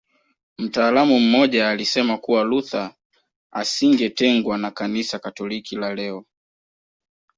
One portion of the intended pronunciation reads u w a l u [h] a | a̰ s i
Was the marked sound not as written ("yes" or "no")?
yes